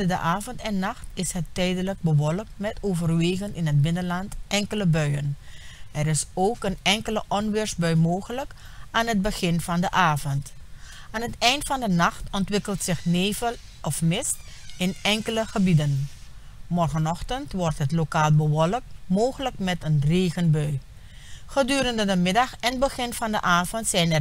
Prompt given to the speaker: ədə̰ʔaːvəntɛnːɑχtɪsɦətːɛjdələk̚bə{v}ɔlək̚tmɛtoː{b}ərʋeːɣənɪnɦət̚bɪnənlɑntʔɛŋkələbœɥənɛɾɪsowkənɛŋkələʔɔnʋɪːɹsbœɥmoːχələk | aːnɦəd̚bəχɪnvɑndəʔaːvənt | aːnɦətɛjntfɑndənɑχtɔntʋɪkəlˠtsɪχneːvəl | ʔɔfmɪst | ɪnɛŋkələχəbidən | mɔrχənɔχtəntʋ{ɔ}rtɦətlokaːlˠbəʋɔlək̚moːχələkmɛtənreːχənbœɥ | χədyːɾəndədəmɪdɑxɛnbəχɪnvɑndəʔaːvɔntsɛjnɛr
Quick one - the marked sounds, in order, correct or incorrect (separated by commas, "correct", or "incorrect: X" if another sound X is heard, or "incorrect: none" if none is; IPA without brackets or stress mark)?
incorrect: ʋ, incorrect: v, correct